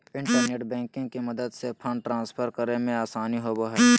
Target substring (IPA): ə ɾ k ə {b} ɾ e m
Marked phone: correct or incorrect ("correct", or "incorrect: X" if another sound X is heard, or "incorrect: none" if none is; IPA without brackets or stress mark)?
incorrect: none